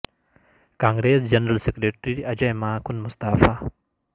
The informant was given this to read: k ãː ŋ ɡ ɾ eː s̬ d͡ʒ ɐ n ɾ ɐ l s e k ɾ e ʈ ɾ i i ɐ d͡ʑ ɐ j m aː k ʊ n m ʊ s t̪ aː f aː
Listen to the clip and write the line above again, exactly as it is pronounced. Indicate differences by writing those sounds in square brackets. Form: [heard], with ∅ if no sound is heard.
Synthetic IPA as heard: k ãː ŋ ɡ ɾ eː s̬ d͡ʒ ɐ n ɾ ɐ l s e k ɾ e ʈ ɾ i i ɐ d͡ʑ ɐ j m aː k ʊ n m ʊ s t̪ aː f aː